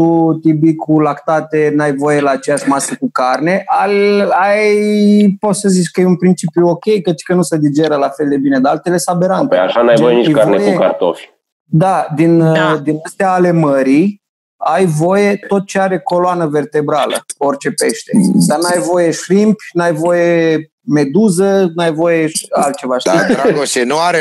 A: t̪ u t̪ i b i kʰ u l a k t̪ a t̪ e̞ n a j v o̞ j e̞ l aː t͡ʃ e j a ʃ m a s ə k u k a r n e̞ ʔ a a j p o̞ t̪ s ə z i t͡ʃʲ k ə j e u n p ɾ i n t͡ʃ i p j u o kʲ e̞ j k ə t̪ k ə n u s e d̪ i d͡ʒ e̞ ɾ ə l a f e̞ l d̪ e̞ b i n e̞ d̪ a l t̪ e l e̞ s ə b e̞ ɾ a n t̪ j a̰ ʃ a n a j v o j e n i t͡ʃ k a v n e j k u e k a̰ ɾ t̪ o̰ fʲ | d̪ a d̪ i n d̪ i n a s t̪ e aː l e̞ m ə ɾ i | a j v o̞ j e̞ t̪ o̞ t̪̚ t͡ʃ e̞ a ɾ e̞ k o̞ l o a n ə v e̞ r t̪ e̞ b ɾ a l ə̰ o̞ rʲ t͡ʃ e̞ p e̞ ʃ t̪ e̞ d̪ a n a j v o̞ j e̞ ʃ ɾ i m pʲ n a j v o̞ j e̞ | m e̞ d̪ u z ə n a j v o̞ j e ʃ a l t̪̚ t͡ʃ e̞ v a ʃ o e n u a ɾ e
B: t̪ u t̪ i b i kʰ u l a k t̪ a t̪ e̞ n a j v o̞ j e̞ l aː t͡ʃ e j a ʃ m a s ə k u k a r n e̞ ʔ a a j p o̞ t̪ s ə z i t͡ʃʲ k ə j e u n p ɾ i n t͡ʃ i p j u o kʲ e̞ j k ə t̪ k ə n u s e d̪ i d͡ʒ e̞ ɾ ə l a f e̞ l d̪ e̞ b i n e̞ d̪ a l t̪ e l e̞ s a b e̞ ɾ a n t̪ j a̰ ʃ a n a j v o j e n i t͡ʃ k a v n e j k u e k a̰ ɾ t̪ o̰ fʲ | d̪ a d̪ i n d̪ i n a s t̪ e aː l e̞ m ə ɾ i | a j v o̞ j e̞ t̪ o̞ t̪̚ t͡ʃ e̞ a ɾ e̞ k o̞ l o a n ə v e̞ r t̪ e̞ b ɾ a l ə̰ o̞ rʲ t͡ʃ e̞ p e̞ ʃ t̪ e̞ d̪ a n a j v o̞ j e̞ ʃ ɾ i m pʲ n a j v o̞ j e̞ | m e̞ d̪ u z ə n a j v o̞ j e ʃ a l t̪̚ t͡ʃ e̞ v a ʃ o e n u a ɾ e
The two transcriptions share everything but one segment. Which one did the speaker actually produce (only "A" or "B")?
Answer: B